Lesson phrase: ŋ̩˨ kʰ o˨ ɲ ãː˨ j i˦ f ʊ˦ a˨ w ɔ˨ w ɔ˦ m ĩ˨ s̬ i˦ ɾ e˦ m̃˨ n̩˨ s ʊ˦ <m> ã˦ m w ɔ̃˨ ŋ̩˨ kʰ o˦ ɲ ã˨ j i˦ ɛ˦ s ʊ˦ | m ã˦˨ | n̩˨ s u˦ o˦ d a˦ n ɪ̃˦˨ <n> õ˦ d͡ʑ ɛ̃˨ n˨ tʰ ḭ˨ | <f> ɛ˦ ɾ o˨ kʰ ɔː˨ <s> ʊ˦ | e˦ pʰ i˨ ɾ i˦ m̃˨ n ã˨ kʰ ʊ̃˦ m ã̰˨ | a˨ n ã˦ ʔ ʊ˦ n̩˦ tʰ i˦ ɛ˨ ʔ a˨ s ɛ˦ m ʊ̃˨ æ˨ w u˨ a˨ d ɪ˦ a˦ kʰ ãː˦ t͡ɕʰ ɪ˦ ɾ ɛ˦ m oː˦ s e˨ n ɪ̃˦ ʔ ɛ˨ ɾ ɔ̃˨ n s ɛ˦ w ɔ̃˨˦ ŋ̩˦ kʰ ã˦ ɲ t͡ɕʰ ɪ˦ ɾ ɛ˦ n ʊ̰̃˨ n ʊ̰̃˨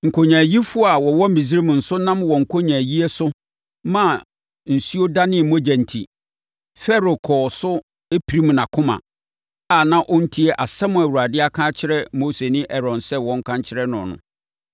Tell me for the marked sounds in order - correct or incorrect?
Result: incorrect: n, incorrect: m, correct, correct

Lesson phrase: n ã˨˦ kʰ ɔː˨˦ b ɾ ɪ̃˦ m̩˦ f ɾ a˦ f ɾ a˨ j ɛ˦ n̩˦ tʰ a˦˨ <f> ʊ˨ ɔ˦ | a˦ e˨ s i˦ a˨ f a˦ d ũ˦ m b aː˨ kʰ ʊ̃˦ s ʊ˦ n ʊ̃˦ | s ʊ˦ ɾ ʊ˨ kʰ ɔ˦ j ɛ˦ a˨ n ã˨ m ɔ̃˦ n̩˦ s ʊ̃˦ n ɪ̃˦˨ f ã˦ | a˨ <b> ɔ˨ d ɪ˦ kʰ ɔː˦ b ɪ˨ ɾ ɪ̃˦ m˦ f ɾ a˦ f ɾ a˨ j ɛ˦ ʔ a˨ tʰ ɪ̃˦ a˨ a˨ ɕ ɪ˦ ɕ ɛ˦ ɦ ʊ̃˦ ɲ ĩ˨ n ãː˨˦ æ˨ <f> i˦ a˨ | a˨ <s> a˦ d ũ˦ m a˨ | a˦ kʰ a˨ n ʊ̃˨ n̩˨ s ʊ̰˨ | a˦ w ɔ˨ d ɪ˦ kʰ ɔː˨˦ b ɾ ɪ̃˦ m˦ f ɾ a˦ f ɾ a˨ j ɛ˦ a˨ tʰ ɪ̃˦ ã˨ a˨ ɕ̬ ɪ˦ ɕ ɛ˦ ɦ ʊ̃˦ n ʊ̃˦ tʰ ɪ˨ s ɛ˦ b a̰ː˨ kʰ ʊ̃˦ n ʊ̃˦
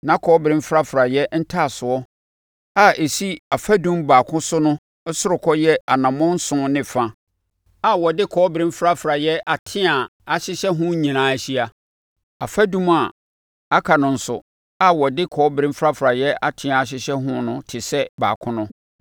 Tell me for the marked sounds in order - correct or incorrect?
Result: incorrect: s, incorrect: w, incorrect: ɕ, incorrect: f

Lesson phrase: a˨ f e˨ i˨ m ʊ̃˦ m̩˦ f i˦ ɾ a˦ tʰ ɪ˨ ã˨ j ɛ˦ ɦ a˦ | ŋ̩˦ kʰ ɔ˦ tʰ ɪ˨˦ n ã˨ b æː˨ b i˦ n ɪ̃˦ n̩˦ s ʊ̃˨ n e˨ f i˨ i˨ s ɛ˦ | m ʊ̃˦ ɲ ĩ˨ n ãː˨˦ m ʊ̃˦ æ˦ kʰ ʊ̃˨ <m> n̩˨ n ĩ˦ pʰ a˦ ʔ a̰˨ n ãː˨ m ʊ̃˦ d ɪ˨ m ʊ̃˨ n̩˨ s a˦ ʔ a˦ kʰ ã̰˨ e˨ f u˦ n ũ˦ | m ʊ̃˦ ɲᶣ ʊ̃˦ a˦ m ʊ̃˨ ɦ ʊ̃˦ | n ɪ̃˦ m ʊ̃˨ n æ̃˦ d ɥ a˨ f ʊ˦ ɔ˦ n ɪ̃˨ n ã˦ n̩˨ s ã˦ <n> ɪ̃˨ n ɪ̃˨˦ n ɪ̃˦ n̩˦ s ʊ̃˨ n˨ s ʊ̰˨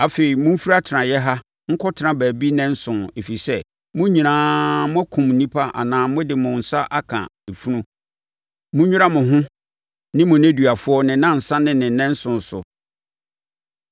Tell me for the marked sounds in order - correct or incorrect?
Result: correct, correct

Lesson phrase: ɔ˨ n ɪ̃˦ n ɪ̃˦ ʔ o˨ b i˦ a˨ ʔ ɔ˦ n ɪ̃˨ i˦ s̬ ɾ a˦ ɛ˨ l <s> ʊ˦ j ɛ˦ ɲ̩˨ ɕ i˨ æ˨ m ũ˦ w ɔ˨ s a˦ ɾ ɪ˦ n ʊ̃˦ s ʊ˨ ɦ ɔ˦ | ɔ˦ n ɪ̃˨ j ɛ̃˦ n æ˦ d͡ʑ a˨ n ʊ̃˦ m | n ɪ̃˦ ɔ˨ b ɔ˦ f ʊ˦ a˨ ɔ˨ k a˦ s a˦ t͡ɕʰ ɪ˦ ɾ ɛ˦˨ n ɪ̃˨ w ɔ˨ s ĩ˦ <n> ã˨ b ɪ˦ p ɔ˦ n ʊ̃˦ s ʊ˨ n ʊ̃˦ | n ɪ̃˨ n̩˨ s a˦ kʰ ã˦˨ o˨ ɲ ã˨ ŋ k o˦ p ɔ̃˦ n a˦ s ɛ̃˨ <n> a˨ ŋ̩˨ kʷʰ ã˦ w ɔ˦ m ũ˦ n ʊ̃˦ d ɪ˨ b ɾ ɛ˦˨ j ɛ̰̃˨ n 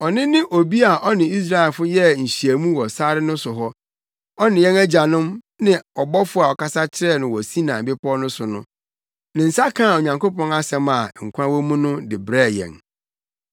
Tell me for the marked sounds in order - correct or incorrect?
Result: incorrect: f, correct, incorrect: m

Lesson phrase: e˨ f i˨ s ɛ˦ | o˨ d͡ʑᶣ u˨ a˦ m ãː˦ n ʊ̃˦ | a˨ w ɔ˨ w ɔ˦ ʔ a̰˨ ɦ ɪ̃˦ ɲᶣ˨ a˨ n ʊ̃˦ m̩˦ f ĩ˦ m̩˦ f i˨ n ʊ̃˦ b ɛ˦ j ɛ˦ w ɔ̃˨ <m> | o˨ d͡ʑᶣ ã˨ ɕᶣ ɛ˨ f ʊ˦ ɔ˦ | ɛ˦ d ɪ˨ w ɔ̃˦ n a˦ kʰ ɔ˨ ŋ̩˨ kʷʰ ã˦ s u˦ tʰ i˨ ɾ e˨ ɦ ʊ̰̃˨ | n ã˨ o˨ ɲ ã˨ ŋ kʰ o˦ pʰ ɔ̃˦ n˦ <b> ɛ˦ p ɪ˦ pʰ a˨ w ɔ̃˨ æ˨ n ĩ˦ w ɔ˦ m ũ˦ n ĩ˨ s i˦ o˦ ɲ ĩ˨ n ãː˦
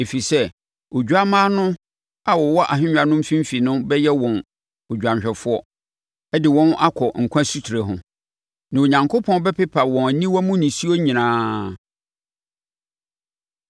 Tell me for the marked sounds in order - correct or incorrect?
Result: incorrect: n, correct

